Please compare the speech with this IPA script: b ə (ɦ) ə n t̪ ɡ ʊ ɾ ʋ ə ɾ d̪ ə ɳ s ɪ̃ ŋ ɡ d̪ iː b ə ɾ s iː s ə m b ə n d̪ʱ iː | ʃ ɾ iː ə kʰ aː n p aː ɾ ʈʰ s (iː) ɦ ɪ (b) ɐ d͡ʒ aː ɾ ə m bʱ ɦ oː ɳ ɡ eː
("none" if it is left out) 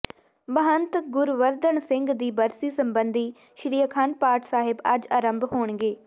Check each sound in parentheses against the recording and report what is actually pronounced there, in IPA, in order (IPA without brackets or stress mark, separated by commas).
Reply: ɦ, aː, b